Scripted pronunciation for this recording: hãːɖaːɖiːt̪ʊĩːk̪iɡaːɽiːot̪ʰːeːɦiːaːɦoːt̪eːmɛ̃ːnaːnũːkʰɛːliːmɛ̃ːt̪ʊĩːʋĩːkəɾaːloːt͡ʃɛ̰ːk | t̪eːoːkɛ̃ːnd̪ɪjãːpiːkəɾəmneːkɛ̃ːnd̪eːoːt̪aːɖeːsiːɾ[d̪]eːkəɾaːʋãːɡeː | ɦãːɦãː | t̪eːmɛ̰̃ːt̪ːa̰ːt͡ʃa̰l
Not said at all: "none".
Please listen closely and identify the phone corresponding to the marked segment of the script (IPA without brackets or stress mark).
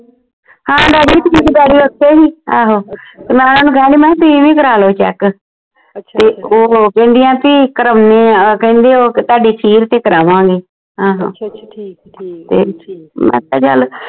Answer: t̪